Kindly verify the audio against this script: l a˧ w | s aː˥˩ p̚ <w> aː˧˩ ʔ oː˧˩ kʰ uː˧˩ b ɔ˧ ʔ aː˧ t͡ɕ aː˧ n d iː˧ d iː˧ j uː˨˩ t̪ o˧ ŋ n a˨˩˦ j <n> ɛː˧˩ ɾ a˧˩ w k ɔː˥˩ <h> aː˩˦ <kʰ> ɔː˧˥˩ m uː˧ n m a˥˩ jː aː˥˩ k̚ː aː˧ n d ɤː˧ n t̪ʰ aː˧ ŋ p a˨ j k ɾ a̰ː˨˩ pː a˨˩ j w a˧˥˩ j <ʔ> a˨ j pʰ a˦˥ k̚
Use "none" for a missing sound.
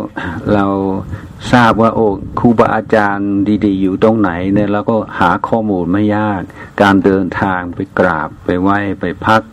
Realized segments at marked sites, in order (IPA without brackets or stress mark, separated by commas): w, n, h, kʰ, p